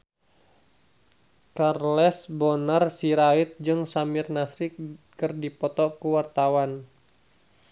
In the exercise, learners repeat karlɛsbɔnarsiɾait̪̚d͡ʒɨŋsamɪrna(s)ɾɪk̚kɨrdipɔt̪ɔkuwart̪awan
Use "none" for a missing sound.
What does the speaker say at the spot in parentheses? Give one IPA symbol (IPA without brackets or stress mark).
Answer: s